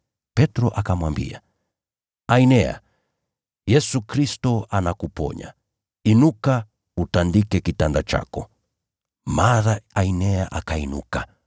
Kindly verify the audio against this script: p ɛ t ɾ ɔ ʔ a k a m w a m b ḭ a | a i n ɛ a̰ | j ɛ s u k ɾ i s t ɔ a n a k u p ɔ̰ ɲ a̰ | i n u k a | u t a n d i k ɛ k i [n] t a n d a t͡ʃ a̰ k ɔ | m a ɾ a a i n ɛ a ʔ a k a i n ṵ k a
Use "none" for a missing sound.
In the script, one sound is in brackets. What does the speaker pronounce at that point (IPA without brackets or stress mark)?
none